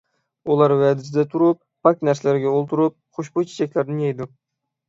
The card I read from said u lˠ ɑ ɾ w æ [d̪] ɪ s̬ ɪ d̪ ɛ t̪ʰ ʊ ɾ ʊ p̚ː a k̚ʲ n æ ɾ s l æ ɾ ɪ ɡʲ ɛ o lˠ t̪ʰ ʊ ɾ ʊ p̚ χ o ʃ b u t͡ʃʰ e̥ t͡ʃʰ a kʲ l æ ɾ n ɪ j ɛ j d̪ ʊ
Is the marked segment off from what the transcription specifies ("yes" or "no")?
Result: no